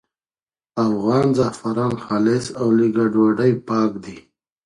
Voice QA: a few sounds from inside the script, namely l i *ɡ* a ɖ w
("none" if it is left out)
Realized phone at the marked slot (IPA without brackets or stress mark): ɡ